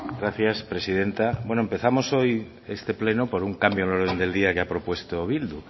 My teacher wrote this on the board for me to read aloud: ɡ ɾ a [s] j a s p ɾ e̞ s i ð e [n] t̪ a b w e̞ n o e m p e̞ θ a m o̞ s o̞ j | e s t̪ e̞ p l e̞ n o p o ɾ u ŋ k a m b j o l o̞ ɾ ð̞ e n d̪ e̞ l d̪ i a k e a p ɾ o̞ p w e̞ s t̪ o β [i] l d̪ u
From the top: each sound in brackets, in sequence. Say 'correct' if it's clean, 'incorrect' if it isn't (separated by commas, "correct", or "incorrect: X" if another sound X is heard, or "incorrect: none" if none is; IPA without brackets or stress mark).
incorrect: θ, correct, correct